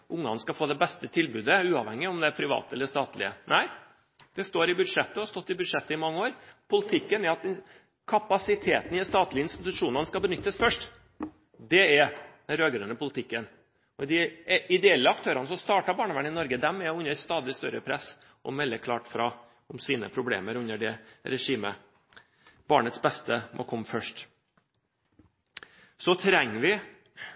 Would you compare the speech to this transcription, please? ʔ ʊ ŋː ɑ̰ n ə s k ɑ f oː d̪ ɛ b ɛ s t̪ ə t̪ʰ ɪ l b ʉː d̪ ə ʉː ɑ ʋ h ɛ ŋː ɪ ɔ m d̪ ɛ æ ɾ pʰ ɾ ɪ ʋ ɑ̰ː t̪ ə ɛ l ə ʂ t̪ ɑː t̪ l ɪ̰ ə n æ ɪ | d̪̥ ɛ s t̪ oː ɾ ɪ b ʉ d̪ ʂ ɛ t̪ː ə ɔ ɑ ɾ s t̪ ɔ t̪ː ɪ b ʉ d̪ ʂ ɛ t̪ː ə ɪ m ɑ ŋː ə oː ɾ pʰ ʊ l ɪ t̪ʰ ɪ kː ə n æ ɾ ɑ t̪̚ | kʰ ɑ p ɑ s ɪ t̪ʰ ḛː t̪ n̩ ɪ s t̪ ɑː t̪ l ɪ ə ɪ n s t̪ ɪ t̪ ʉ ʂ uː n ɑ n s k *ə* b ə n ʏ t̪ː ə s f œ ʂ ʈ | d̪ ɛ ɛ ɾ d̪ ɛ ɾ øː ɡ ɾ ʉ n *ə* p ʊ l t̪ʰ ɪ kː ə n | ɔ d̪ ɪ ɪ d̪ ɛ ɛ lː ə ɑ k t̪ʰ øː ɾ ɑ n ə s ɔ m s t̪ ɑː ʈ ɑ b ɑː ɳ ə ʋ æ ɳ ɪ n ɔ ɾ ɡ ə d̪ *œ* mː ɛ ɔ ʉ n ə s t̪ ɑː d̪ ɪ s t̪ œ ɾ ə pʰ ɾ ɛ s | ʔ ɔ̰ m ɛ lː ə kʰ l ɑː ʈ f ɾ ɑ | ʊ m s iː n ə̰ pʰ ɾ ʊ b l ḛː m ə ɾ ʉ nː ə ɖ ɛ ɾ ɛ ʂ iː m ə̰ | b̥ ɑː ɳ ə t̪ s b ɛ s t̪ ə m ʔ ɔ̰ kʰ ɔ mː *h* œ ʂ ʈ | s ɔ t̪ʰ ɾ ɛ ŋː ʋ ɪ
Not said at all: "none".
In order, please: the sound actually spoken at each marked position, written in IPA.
ɑ, ə, ɛ, f

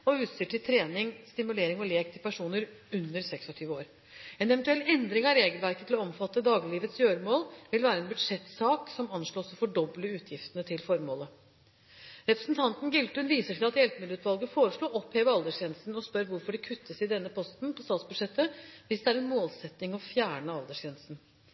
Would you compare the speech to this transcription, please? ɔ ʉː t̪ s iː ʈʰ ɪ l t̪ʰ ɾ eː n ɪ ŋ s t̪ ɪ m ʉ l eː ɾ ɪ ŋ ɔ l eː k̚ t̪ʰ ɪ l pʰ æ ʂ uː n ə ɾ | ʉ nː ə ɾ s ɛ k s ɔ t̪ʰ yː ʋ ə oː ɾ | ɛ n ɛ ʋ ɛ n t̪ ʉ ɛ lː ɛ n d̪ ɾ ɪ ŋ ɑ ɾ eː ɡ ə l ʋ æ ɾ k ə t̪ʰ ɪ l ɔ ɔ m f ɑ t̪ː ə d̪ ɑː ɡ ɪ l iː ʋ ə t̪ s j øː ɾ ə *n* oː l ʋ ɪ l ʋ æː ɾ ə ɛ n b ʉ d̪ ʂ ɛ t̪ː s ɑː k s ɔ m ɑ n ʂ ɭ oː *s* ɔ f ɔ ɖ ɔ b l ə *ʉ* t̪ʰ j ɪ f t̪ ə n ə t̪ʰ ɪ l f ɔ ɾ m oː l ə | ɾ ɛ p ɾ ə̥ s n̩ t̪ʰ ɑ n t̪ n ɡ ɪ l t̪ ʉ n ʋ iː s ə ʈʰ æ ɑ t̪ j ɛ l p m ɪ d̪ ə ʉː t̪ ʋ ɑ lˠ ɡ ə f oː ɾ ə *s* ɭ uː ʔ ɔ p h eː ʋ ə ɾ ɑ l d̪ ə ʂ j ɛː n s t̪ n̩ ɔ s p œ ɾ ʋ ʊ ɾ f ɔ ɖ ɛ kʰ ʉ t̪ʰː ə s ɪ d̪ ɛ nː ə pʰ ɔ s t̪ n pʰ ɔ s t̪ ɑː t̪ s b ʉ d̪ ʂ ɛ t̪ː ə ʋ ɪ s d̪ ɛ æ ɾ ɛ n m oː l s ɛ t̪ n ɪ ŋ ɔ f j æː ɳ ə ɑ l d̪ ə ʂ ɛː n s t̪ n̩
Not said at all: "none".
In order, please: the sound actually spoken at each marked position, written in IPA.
m, s, ʉː, ʂ

